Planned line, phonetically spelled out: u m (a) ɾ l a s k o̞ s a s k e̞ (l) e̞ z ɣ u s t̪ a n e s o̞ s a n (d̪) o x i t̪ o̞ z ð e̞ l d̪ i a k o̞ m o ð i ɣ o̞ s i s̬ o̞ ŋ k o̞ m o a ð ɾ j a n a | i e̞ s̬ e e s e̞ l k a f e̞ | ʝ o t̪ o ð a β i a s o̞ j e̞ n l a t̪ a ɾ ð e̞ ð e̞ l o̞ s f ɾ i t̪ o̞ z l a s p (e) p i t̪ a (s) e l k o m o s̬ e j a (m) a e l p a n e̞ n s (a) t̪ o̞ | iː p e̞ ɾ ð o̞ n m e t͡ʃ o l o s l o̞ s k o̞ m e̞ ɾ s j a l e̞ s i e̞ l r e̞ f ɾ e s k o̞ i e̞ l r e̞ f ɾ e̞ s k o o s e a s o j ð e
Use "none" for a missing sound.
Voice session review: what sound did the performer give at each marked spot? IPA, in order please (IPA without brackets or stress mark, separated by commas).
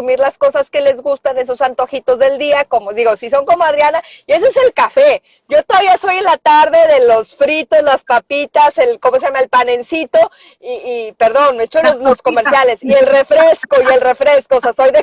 i, l, t̪, a, s, m, i